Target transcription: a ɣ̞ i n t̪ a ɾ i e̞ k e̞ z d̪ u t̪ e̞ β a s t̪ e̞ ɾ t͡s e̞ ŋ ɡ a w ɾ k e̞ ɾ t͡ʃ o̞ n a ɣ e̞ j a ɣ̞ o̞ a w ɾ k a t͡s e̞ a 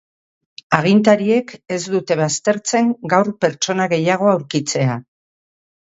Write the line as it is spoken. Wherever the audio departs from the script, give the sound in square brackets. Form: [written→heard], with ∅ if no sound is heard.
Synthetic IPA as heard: a ɣ̞ i n t̪ a ɾ i e̞ k e̞ z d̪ u t̪ e̞ β a s t̪ e̞ ɾ t͡s e̞ ŋ ɡ a w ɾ [k→p] e̞ ɾ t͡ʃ o̞ n a ɣ e̞ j a ɣ̞ o̞ a w ɾ k [a→i] t͡s e̞ a